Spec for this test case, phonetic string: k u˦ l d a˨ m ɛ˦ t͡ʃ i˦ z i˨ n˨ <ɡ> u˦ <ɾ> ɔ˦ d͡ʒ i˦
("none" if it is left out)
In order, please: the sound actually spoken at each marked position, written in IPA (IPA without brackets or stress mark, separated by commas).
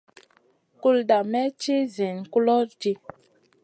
k, l